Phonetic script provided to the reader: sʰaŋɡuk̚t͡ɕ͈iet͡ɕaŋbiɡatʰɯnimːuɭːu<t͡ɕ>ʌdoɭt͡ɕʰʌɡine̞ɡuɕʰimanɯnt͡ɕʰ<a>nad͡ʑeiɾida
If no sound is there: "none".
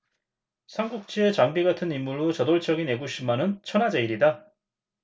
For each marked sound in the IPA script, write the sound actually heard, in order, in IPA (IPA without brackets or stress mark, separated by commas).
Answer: t͡ɕ, ʌ